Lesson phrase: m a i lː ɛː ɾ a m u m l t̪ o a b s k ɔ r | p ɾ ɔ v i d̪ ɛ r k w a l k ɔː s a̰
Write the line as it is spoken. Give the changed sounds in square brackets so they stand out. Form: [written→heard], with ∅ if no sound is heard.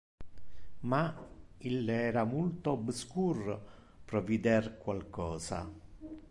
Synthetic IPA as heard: m a i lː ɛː ɾ a m u [m→∅] l t̪ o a b s k [ɔ→u] r | p ɾ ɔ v i d̪ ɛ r k w a l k ɔː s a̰